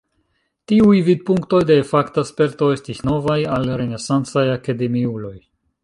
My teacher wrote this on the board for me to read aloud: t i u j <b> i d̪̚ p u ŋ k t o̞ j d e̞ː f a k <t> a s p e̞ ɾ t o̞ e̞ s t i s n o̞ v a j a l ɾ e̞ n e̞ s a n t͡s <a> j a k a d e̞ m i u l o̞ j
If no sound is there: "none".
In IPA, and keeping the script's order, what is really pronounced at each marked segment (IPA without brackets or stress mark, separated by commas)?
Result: v, t, a